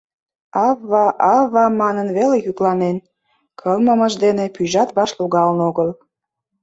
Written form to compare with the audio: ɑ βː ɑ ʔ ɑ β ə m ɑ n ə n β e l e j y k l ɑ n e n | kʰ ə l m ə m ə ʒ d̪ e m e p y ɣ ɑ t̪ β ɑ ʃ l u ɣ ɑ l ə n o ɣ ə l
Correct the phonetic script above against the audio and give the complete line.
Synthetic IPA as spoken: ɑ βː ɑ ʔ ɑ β ɑ m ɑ n ə n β e l e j y k l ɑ n e n | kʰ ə l m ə m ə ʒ d̪ e n e p y ʒ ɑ t̪ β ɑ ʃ l u ɣ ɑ l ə n o ɣ ə l